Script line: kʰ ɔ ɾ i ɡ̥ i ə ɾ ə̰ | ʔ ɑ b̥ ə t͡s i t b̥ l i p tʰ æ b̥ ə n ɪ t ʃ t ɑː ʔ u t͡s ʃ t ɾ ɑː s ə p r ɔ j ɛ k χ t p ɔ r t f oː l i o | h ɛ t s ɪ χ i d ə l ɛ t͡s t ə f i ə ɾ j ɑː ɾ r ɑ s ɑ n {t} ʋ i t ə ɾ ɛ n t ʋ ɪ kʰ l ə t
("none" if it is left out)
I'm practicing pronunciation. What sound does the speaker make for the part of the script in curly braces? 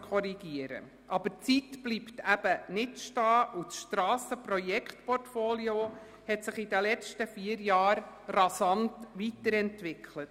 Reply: t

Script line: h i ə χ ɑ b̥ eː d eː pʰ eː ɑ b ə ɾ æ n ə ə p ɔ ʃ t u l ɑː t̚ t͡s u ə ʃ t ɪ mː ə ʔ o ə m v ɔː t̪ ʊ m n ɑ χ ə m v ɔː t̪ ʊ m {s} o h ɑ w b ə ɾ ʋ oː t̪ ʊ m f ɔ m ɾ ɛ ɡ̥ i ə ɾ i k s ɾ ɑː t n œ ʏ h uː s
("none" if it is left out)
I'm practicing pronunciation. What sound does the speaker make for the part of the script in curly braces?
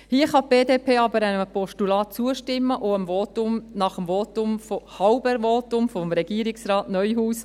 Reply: f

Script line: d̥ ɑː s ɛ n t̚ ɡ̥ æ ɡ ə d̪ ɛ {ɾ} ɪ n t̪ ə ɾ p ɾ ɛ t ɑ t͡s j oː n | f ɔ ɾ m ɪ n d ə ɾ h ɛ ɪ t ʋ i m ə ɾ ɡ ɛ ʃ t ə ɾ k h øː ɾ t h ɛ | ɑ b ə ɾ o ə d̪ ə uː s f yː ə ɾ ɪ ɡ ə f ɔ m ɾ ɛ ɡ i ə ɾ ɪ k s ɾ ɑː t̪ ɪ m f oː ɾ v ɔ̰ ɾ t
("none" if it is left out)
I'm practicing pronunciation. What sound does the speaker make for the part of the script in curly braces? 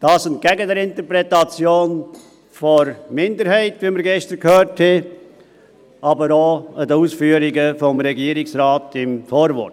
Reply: ɾ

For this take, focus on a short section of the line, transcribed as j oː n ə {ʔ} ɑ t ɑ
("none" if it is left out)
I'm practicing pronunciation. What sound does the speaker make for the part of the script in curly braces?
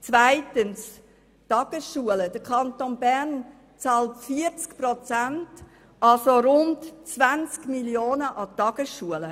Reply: ʔ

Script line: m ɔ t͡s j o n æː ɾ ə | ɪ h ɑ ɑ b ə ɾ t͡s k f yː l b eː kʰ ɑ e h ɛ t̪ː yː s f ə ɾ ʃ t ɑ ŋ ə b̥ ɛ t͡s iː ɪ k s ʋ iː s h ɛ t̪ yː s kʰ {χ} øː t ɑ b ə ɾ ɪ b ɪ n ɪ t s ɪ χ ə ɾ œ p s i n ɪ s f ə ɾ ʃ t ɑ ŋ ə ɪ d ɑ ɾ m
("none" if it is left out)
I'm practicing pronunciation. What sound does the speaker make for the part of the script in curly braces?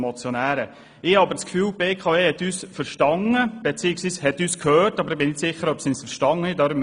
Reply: h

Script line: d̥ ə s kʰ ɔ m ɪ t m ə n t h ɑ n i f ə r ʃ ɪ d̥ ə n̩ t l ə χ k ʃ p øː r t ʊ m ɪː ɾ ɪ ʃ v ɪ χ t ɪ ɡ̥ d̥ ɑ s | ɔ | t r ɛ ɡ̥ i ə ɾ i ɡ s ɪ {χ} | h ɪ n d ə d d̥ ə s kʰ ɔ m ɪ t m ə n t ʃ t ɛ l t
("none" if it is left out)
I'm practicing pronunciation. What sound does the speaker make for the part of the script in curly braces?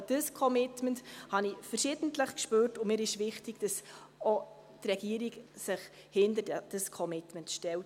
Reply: χ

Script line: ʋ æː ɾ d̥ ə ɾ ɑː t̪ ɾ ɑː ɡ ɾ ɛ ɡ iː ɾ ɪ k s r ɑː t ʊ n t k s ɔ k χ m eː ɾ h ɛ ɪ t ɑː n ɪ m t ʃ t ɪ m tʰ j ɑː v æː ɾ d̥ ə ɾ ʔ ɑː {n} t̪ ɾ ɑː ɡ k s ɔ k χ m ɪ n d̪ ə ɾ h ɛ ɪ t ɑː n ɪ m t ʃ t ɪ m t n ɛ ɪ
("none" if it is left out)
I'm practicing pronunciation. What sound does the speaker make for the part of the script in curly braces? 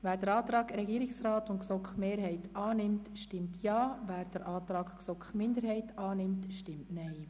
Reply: none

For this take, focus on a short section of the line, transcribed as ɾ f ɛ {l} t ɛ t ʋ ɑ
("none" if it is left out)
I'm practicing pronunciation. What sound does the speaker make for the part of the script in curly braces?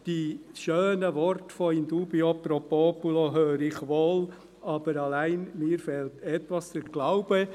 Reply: l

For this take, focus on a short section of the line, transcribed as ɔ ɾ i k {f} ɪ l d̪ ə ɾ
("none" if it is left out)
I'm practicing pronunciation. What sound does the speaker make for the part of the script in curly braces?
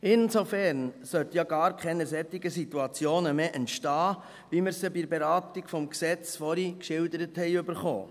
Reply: ʃ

